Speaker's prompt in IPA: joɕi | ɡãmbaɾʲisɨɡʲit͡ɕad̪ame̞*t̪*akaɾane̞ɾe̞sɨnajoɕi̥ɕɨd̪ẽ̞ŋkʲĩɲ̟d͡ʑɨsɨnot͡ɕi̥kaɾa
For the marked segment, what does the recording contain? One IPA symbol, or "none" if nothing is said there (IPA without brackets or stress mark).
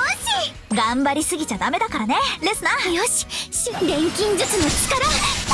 d̪